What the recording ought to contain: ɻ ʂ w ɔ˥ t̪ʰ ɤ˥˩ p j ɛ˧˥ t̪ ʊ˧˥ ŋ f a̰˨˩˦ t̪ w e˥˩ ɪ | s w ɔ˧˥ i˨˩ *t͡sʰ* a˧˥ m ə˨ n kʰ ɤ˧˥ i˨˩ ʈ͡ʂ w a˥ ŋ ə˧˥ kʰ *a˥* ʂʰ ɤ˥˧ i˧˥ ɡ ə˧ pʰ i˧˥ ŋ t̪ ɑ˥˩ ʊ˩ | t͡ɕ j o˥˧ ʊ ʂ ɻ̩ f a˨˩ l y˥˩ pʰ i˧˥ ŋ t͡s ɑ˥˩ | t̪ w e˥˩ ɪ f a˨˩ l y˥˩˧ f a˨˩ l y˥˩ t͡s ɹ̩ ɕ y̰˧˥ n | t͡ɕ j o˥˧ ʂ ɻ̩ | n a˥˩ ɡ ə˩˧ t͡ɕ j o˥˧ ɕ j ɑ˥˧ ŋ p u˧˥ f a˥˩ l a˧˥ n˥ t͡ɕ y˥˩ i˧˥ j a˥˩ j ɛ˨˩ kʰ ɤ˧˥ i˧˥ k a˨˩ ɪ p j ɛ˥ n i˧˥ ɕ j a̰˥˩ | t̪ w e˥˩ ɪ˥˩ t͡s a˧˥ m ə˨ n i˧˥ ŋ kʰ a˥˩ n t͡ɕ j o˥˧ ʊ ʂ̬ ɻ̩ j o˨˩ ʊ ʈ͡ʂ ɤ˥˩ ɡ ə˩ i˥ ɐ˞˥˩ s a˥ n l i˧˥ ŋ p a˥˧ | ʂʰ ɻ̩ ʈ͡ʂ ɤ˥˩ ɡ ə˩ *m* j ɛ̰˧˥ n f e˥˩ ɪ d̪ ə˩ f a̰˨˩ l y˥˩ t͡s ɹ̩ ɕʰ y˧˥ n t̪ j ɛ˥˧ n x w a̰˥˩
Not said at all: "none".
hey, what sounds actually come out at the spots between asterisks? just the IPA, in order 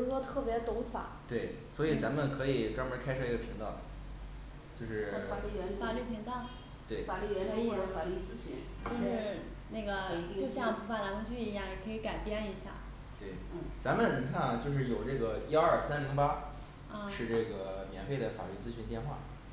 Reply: t͡s, a˥, m

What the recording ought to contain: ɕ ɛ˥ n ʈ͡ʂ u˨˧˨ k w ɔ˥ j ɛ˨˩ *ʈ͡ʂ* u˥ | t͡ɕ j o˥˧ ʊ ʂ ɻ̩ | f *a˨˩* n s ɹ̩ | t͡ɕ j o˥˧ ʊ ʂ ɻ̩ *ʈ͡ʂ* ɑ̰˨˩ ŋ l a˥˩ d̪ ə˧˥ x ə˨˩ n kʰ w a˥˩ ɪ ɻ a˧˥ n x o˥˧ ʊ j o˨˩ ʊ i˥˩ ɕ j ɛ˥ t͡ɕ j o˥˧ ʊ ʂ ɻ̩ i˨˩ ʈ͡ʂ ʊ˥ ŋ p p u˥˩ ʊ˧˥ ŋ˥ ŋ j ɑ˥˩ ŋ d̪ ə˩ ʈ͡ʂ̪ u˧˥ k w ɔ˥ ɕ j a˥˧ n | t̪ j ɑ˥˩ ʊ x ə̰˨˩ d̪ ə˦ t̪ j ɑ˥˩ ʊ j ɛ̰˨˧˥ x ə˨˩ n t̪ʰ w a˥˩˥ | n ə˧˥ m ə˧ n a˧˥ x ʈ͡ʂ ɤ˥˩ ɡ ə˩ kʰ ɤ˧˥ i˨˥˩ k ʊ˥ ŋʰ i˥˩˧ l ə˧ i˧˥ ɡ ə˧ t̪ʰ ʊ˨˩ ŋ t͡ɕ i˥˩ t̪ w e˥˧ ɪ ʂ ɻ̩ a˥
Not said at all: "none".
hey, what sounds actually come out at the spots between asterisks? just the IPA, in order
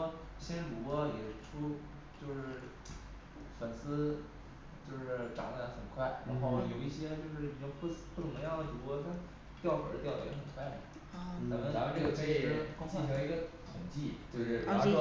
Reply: ʈ͡ʂʰ, ə˨˩, ʈ͡ʂ

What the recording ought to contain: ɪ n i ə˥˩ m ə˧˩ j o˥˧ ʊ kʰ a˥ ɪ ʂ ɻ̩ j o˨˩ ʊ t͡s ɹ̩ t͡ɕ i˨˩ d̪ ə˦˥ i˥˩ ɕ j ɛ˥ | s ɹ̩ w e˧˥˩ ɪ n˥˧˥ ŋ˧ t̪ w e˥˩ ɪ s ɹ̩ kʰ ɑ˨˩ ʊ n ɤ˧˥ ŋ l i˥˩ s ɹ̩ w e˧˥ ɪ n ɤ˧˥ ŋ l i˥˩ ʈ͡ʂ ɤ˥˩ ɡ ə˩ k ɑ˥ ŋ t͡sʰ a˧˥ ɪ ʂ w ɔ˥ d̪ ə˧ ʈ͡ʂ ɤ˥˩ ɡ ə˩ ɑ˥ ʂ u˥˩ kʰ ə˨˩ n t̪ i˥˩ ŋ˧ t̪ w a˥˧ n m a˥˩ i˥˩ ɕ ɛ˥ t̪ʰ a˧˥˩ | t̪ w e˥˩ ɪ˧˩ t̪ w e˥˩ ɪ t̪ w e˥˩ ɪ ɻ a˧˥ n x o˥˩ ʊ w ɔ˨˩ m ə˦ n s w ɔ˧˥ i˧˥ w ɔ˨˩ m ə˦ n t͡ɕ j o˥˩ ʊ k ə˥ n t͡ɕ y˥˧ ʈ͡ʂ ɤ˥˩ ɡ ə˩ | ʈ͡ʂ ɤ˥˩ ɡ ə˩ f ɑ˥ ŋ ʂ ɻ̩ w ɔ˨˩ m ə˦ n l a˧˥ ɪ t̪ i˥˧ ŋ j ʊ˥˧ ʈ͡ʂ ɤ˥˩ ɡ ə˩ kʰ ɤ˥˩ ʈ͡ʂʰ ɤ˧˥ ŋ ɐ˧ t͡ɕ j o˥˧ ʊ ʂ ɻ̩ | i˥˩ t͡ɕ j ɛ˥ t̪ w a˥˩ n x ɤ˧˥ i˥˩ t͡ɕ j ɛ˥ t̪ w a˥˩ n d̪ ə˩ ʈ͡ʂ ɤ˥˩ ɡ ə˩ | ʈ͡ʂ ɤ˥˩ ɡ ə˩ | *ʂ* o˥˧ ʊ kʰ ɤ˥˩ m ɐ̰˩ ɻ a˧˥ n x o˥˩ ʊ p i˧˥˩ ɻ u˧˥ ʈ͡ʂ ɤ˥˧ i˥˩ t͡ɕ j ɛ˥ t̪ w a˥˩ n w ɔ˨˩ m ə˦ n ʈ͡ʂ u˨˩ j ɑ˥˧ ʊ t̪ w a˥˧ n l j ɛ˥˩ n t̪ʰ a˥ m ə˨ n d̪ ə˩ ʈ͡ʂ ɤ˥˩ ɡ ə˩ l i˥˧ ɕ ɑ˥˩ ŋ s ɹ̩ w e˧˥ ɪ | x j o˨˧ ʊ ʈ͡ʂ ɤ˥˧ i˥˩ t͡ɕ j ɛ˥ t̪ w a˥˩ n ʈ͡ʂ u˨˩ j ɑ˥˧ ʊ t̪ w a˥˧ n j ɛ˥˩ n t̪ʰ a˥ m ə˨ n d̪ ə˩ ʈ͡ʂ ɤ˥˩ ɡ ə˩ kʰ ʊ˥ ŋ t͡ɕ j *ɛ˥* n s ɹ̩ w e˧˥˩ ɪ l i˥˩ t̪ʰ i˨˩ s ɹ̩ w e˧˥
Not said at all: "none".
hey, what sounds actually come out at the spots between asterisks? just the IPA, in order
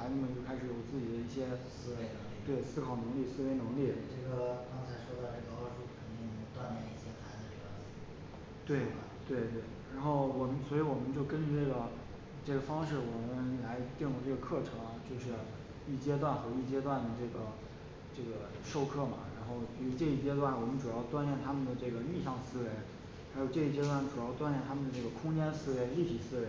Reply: ʂ, ɛ˥

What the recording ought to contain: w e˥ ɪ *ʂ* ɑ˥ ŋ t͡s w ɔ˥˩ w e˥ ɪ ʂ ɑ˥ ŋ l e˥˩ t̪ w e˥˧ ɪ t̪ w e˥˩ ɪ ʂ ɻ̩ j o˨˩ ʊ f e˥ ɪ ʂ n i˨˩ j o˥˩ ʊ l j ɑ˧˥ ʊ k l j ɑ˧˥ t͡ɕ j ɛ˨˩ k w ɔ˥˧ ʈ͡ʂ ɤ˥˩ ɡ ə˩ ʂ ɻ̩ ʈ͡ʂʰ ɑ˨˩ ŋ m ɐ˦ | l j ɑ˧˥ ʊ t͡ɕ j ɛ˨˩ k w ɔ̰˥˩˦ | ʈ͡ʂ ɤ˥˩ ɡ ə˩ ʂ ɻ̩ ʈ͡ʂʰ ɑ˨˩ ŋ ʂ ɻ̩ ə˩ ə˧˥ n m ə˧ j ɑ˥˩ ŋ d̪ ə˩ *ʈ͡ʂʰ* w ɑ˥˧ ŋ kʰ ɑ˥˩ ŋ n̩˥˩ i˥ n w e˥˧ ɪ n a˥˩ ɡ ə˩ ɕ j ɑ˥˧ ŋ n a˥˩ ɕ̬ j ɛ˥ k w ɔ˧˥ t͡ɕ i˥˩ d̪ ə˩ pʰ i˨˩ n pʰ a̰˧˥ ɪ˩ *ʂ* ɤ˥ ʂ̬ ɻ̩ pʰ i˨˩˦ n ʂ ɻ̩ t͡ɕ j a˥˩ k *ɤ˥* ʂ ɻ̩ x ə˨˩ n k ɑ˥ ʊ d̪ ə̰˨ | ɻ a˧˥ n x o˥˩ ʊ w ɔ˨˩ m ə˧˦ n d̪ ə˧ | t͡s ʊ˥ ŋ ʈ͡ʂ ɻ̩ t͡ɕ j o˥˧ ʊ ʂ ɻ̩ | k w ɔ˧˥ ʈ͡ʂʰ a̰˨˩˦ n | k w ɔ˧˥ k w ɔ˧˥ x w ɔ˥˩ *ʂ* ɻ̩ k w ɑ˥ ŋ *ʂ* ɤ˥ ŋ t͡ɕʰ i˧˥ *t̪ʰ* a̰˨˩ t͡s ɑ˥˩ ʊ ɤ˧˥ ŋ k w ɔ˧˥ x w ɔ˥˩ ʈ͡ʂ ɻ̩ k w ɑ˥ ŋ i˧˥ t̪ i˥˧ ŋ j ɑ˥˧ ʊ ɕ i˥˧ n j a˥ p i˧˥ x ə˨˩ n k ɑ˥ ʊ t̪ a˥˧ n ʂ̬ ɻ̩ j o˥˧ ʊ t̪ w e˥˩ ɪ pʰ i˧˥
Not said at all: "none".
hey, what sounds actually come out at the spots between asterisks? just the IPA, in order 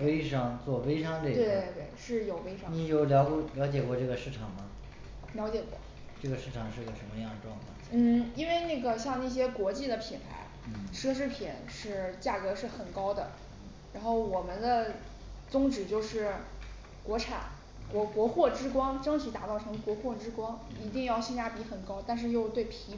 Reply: ʂ, ʈ͡ʂ, ʂ, ɤ˧˥, ʈ͡ʂ, ʈ͡ʂ, t̪

